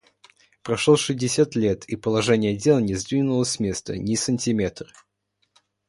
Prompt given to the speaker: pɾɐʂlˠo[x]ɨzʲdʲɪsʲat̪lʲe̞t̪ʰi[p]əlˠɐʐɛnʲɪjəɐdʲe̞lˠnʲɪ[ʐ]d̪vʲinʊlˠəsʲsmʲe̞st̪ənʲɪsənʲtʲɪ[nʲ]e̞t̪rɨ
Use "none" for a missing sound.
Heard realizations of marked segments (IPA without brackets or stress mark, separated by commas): ʂ, p, z, mʲ